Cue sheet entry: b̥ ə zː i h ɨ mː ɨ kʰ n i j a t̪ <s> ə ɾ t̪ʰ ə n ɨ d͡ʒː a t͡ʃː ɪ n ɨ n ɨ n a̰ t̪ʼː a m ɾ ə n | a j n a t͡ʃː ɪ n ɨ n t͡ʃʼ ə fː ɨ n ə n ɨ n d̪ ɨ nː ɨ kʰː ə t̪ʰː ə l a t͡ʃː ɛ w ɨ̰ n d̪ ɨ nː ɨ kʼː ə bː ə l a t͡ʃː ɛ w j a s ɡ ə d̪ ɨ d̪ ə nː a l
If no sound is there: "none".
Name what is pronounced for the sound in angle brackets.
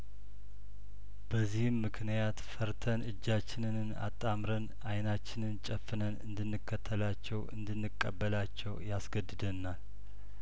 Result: f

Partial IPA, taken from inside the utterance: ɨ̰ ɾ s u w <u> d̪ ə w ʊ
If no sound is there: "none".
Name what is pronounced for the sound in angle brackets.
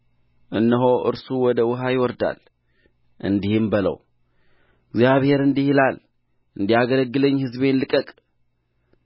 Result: ɔ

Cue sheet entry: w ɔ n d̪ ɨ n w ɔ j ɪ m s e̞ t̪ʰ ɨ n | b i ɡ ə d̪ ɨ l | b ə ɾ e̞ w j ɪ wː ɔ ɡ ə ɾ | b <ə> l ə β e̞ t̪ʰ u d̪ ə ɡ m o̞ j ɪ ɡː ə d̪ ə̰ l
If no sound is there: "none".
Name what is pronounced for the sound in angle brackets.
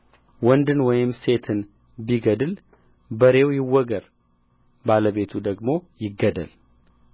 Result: a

